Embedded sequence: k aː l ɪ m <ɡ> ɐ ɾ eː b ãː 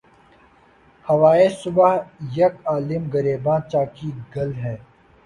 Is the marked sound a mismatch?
no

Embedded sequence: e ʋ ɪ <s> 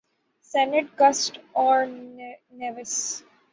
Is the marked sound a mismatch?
no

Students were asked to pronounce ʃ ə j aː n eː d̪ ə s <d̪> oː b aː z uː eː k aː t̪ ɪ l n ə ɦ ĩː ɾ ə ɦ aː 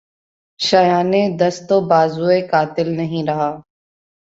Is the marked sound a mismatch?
yes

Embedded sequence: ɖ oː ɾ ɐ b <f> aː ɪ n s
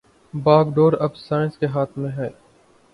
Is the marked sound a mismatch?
yes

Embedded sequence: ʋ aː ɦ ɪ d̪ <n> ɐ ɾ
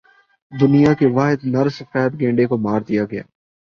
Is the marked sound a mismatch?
no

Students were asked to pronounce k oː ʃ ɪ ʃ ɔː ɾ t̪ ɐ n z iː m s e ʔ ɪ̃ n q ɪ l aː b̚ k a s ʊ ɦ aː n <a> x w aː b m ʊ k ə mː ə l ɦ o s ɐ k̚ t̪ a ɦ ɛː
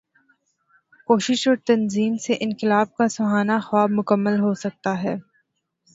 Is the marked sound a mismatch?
no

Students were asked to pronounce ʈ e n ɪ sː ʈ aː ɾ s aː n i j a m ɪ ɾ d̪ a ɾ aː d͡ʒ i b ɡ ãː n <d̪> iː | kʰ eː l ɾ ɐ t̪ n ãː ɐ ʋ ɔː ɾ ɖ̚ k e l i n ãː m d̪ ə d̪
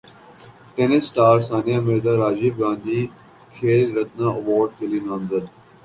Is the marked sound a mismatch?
no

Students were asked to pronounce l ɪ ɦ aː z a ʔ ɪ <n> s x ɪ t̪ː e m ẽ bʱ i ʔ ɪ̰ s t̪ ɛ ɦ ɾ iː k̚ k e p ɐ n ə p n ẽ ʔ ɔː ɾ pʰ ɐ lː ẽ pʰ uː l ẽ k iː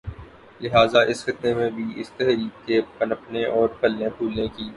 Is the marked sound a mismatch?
yes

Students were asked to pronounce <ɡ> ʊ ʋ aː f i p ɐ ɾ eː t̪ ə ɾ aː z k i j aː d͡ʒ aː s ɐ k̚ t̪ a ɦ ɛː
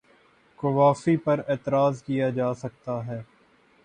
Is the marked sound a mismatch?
yes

